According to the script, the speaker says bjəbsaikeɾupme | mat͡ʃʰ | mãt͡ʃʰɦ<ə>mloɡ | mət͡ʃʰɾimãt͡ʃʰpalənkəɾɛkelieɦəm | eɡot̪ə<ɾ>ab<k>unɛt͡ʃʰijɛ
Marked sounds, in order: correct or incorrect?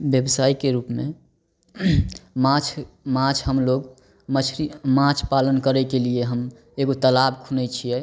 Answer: correct, incorrect, incorrect

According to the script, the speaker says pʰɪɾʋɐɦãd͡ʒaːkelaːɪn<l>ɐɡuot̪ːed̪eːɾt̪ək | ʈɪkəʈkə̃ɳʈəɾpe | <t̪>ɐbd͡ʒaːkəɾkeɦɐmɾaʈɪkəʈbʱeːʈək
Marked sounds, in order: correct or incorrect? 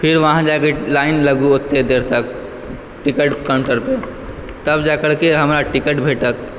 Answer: correct, correct

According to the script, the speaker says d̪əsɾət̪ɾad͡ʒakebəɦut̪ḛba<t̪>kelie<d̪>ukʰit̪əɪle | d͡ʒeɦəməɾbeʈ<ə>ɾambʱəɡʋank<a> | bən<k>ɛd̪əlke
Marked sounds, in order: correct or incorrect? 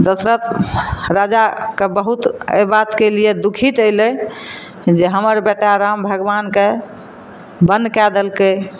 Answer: correct, correct, incorrect, incorrect, correct

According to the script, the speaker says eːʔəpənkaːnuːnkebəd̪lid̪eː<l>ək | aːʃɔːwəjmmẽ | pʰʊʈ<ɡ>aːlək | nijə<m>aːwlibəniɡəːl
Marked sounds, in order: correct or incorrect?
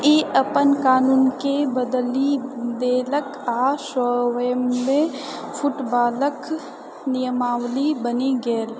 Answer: correct, incorrect, correct

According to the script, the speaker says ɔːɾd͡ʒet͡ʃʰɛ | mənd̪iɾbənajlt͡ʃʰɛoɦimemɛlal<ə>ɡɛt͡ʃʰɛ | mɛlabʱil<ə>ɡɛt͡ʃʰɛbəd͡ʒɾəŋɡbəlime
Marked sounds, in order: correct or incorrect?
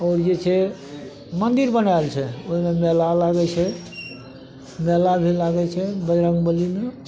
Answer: incorrect, incorrect

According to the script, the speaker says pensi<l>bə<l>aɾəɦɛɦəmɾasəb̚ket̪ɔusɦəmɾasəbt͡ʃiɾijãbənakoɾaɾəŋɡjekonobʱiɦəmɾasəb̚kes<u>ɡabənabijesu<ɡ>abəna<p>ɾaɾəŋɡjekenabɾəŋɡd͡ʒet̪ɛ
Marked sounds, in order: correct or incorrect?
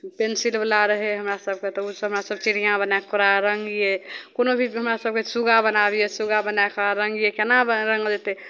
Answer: correct, correct, correct, correct, incorrect

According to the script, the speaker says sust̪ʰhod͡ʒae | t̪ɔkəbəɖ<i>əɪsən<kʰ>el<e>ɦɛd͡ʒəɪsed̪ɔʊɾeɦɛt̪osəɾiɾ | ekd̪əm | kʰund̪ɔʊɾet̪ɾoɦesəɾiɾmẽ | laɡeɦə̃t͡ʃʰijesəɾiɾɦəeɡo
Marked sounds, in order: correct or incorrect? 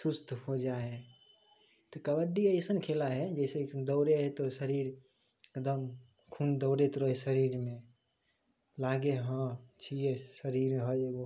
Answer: correct, correct, incorrect

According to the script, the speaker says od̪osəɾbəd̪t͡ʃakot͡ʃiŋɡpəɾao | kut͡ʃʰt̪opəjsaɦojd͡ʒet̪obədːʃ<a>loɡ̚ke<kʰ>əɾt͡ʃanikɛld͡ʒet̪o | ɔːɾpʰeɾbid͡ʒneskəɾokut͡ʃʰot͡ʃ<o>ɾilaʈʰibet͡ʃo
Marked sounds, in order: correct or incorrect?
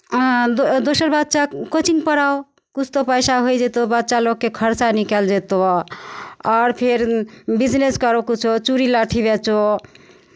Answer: correct, correct, incorrect

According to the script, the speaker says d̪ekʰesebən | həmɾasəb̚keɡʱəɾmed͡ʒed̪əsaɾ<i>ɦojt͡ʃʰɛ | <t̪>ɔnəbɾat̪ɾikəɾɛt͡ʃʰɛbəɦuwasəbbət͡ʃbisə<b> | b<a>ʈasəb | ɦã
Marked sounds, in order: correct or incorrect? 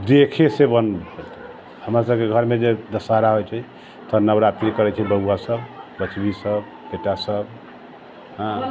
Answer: incorrect, correct, correct, incorrect

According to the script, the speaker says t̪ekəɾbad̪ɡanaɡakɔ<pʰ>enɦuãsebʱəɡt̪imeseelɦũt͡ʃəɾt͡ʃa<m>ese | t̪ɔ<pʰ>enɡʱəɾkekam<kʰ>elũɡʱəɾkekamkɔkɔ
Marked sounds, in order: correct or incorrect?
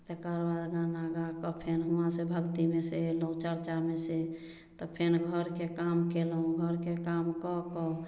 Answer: correct, correct, correct, incorrect

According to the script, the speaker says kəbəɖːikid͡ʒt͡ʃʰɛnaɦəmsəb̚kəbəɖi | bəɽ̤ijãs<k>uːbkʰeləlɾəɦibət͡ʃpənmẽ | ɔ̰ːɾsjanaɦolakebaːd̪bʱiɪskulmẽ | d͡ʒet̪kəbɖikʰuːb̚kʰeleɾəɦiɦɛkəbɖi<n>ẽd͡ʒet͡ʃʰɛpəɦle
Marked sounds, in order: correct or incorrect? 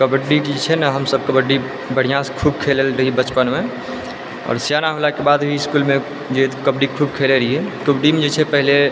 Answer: incorrect, incorrect

